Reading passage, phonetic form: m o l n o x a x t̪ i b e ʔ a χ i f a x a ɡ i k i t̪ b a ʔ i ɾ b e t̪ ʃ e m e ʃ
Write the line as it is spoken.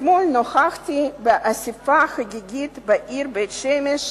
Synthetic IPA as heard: m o l n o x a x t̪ i b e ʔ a s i f a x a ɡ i ɡ i t̪ b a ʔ i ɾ b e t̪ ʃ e m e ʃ